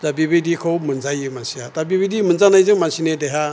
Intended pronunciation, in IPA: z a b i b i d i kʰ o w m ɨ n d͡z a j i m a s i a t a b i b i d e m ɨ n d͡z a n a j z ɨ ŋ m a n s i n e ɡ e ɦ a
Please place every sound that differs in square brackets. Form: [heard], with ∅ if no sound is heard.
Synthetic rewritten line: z a b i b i d i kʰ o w m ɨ n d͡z a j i m a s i a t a b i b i d [i] m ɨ n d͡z a n a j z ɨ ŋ m a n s i n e [d] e ɦ a